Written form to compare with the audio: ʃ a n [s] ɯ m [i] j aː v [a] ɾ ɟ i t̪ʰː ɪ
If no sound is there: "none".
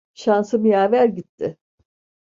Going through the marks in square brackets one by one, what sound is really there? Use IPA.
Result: s, i, æ

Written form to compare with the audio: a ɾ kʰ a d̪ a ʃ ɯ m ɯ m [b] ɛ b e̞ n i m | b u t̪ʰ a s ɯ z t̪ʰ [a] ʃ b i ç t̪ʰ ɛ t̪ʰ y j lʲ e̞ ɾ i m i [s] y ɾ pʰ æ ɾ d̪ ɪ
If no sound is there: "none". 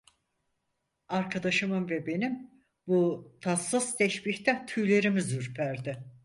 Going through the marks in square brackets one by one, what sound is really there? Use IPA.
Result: v, ɛ, z

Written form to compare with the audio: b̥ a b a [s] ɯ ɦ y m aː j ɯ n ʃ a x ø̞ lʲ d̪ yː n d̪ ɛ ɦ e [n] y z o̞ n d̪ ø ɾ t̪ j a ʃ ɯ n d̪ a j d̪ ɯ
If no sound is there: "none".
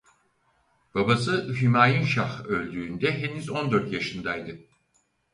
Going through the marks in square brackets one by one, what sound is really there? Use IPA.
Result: s, n

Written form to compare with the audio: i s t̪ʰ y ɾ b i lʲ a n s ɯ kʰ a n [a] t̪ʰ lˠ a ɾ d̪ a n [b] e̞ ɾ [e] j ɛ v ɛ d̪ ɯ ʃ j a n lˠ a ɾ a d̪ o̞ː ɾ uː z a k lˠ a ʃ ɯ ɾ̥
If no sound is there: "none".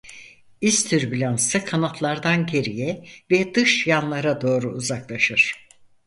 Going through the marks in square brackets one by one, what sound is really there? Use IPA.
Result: a, ɟ, i

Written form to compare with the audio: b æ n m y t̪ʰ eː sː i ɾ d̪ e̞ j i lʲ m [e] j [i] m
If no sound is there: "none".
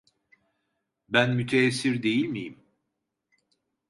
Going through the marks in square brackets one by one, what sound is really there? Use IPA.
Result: i, i

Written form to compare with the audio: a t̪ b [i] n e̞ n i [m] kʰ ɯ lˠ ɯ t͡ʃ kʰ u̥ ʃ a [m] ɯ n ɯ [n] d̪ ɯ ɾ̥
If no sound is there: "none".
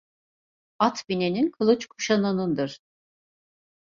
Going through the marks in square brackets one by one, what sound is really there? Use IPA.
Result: i, n, n, n

